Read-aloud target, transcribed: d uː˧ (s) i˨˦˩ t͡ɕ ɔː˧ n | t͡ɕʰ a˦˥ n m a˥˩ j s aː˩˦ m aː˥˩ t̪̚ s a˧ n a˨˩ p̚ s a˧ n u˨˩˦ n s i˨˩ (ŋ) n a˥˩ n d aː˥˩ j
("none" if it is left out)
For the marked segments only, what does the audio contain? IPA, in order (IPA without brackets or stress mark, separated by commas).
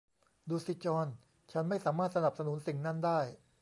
s, ŋ